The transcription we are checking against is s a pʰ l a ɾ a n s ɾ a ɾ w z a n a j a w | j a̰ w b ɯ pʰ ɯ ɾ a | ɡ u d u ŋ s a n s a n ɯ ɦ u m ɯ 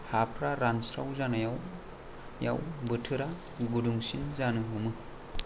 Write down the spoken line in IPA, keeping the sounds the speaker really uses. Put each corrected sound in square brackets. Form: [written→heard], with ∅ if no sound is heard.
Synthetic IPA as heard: [s→h] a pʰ [l→ɾ] a ɾ a n s ɾ a [ɾ→∅] w z a n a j a w | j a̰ w b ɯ [pʰ→tʰ] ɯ ɾ a | ɡ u d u ŋ s [a→i] n [s→z] a n ɯ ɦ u m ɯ